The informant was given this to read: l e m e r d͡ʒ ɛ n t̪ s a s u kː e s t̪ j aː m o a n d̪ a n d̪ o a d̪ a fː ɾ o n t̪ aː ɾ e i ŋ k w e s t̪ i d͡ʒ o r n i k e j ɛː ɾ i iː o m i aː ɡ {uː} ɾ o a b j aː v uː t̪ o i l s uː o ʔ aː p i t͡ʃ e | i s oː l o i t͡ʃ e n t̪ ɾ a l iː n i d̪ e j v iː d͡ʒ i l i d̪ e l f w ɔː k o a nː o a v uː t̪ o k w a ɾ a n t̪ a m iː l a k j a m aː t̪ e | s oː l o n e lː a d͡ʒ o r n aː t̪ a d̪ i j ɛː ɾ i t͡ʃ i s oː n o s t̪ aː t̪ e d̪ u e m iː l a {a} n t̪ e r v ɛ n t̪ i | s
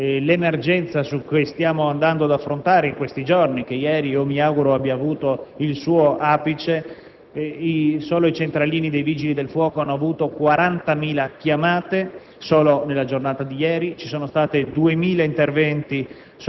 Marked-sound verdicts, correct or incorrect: incorrect, incorrect

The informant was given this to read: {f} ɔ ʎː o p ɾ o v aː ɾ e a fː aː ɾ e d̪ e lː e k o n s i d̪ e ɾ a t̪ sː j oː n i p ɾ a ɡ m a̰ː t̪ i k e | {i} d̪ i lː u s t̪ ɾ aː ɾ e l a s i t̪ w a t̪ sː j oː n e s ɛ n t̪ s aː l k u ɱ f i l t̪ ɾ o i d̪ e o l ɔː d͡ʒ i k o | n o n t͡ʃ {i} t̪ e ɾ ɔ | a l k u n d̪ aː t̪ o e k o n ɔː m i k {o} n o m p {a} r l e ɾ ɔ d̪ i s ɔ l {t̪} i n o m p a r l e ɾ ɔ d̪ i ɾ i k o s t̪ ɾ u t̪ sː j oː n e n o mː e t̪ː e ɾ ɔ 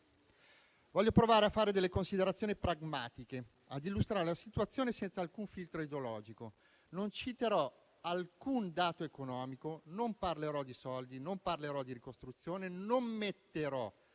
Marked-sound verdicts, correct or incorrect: incorrect, incorrect, correct, correct, correct, incorrect

